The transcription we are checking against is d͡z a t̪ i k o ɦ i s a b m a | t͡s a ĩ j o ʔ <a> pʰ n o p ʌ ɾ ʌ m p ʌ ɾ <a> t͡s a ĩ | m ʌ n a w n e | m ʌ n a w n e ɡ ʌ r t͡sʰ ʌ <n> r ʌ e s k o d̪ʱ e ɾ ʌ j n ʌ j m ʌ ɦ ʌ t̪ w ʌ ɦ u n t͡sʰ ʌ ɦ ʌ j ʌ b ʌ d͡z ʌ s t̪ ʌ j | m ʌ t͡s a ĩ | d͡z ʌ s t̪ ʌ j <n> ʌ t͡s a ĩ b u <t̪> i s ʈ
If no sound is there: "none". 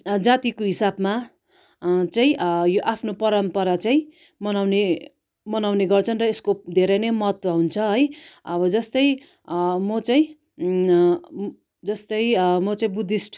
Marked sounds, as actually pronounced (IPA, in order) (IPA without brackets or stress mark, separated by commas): a, a, n, m, d̪